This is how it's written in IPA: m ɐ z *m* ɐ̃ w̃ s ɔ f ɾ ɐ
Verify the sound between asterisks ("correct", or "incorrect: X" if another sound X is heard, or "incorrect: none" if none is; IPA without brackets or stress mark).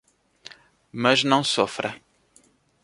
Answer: incorrect: n